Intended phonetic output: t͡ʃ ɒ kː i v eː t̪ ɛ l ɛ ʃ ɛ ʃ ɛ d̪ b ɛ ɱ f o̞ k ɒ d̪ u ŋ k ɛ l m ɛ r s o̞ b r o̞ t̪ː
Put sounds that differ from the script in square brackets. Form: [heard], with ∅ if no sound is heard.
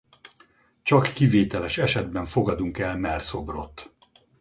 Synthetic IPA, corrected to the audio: t͡ʃ ɒ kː i v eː t̪ ɛ l ɛ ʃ ɛ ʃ ɛ d̪ b ɛ ɱ f o̞ [ɡ] ɒ d̪ u ŋ k ɛ l m ɛ r s o̞ b r o̞ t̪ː